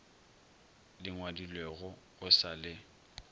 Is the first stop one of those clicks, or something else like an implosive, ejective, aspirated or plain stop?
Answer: plain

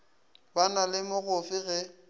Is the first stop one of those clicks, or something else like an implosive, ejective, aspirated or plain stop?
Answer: plain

